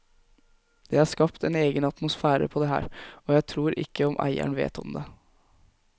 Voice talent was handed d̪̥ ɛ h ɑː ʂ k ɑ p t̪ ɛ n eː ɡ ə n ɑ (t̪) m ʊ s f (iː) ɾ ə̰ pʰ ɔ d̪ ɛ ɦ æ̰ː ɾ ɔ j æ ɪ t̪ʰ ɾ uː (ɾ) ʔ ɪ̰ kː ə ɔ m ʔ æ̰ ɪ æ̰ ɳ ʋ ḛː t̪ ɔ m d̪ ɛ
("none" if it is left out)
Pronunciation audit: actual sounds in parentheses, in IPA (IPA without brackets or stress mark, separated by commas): t̪, æː, ɾ